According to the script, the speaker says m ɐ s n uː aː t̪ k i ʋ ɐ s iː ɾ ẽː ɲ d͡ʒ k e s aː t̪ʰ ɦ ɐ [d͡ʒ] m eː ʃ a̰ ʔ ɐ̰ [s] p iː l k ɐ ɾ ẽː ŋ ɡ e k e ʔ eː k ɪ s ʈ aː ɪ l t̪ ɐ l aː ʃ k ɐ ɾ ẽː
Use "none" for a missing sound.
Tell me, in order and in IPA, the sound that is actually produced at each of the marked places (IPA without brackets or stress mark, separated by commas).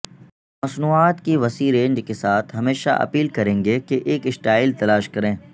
none, none